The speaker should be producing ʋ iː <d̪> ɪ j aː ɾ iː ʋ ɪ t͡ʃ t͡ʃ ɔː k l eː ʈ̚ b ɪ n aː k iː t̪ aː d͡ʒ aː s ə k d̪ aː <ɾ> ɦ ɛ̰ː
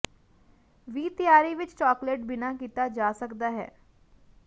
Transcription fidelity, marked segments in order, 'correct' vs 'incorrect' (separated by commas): incorrect, incorrect